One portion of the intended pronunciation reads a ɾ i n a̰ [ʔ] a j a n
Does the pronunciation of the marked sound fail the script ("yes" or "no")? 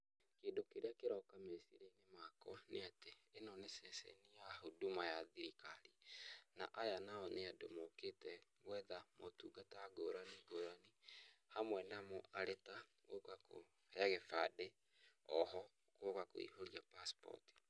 no